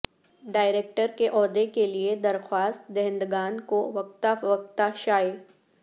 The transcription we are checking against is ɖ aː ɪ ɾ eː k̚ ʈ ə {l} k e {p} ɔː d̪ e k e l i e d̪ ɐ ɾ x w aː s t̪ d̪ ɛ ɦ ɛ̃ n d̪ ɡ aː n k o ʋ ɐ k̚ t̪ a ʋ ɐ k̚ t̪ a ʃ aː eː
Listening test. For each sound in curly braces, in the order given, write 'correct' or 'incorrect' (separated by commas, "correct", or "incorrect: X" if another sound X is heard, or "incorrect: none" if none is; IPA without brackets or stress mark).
incorrect: ɾ, incorrect: ʔ